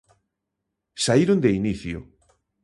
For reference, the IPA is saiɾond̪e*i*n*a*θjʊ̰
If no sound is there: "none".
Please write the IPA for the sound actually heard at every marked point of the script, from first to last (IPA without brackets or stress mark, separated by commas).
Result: i, i